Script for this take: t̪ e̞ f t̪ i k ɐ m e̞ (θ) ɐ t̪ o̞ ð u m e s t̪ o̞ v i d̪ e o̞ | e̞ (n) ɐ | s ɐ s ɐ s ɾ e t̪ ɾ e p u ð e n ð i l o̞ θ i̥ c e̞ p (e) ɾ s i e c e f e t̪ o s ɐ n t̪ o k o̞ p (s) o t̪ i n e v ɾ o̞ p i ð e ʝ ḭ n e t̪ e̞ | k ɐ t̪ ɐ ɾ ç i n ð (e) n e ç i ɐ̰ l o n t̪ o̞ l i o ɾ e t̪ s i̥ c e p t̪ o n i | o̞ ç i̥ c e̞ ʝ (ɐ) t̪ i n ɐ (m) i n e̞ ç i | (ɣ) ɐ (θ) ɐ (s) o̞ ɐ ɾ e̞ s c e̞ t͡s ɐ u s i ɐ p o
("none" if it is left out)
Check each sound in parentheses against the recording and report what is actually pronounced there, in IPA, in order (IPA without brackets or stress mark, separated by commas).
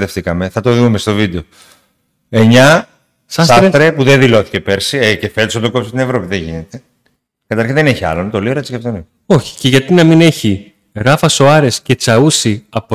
θ, ɲ, e, s, e, ɐ, m, ɣ, f, s